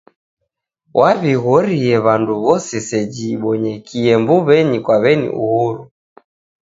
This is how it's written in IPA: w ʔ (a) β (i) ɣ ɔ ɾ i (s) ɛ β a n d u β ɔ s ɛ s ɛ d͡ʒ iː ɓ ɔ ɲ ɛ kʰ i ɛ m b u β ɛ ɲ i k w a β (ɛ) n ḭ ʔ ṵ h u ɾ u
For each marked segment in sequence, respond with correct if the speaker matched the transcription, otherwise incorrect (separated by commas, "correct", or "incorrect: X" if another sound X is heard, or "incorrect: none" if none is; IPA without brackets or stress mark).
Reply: correct, correct, incorrect: none, correct